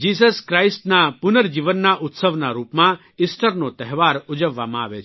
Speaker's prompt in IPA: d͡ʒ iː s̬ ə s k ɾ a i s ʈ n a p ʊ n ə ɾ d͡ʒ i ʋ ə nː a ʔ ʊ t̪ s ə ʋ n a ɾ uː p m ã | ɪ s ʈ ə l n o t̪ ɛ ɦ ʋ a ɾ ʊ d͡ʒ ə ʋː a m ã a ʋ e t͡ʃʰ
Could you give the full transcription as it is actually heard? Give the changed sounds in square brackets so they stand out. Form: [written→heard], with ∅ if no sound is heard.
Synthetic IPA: d͡ʒ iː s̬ ə s k ɾ a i s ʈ n a p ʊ n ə ɾ d͡ʒ i ʋ ə nː a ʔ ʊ t̪ s ə ʋ n a ɾ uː p m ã | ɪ s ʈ ə [l→ɾ] n o t̪ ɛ ɦ ʋ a ɾ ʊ d͡ʒ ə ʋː a m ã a ʋ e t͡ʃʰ